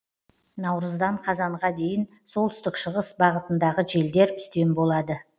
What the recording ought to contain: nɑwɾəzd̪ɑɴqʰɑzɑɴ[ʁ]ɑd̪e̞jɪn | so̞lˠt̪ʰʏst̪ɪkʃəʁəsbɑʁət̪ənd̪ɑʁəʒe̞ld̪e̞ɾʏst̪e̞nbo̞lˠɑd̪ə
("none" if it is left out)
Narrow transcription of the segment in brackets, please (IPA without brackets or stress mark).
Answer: ʁ